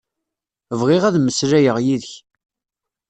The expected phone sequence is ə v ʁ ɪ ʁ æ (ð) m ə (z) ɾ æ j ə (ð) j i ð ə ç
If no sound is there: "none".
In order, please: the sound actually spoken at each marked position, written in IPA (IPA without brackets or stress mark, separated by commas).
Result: ð, s, ʁ